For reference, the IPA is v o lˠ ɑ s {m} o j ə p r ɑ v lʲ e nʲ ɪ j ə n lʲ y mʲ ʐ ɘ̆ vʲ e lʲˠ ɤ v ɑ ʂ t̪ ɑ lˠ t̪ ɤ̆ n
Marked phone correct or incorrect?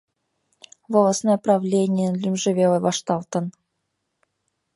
incorrect